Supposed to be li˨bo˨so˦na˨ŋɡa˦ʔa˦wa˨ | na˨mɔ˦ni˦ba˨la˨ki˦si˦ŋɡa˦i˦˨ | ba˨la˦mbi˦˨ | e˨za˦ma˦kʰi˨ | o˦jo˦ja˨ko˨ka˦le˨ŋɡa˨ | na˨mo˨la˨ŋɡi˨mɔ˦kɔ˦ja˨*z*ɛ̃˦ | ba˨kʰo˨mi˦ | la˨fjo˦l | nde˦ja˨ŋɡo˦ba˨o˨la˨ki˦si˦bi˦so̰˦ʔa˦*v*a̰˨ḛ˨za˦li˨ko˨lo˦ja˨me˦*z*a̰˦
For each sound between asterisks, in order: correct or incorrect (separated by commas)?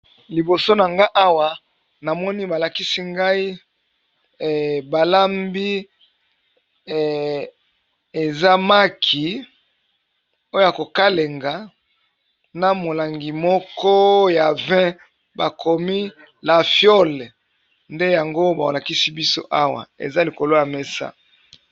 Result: incorrect, incorrect, incorrect